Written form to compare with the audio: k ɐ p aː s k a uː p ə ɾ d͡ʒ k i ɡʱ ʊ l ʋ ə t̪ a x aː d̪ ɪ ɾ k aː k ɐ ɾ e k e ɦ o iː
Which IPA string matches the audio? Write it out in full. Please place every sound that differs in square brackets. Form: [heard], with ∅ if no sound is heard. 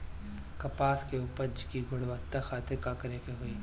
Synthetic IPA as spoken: k ɐ p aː s k [e] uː p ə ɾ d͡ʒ k i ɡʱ ʊ [ɽ] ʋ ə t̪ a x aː [t̪] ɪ ɾ k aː k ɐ ɾ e k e ɦ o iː